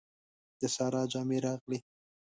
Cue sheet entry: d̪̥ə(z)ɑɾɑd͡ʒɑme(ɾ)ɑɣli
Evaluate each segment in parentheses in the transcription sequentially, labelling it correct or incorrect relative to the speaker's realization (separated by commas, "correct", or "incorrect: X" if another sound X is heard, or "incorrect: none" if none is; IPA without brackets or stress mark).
incorrect: s, correct